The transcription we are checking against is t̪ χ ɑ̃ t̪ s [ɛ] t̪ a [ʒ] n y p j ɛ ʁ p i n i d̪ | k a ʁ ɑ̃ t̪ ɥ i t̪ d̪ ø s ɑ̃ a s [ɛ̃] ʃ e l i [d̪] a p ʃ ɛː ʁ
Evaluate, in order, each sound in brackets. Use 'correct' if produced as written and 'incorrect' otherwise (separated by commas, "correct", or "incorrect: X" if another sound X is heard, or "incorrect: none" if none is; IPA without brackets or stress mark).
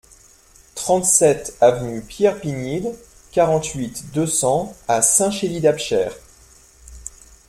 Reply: correct, incorrect: v, correct, correct